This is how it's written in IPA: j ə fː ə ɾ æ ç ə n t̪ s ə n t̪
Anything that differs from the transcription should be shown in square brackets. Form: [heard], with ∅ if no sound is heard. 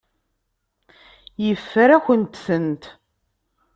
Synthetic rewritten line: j ə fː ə ɾ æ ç ə n t̪ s ə n t̪

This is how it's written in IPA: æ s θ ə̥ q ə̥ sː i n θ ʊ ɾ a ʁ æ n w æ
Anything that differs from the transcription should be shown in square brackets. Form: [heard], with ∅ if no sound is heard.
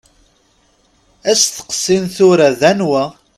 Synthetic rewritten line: æ s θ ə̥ q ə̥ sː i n θ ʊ ɾ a [ð] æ n w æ

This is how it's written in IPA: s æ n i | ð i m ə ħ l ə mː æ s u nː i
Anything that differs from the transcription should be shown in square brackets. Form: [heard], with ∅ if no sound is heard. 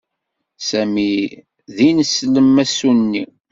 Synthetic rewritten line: s æ [m] i | ð i [n] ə [s] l ə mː æ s u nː i

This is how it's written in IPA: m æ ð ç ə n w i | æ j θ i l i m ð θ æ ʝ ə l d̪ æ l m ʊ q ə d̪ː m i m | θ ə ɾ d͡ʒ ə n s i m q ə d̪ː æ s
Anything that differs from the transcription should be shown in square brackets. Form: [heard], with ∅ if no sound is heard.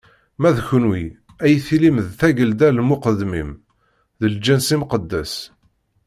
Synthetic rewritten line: m æ ð ç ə n w i | æ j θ i l i m ð θ æ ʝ ə l d̪ æ l m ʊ q ə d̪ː m i m | [ð] ə [l] d͡ʒ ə n s i m q ə d̪ː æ s

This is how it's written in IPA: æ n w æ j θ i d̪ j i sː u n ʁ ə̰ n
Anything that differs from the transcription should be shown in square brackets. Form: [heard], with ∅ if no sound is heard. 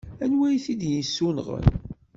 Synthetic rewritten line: æ n w æ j θ i d̪ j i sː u n ʁ ə̰ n

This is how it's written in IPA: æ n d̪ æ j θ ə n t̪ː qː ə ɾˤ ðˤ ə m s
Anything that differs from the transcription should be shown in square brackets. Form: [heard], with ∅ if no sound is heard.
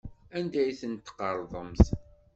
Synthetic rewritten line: æ n d̪ æ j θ ə n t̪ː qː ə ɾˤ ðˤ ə m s

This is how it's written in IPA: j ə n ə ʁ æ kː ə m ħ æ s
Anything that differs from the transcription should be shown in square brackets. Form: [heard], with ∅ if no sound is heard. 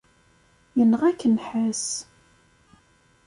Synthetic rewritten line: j ə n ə ʁ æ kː ə [n] ħ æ s

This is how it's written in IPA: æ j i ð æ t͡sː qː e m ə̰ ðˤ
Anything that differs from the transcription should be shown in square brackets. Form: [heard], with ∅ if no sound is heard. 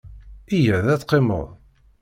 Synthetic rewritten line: [i] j [æ] ð æ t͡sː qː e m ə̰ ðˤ

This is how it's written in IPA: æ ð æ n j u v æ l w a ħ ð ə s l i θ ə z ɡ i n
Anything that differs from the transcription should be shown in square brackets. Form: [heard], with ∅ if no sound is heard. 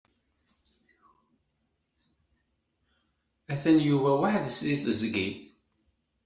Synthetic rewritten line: æ [θ] æ n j u v æ [∅] w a ħ ð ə s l i θ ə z ɡ i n

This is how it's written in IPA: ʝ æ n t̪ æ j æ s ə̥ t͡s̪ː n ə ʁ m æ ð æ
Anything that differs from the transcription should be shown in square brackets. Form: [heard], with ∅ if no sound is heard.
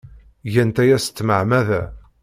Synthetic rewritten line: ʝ æ n t̪ æ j æ s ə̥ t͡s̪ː [m] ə [ʕ] m æ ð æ

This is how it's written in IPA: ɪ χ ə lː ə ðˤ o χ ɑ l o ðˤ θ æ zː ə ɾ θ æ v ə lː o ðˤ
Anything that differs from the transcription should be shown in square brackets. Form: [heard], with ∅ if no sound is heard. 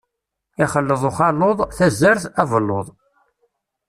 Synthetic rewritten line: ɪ χ ə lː ə ðˤ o χ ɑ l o ðˤ θ æ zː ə ɾ θ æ v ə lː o ðˤ

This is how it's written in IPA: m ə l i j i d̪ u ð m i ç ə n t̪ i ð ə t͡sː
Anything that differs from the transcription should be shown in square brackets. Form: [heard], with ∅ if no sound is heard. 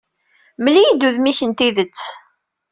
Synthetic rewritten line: m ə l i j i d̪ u ð m i ç ə n t̪ i ð ə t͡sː

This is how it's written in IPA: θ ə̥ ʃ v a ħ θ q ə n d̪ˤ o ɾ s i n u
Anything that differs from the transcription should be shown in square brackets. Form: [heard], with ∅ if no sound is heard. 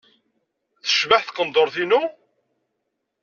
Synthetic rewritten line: θ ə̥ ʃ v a ħ θ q ə n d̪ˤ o ɾ [θ] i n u

